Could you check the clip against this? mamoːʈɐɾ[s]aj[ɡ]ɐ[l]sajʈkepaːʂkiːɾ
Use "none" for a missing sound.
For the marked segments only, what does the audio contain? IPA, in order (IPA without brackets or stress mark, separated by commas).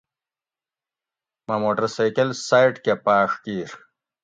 s, k, l